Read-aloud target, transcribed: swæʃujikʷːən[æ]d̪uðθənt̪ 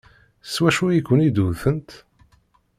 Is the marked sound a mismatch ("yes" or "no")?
yes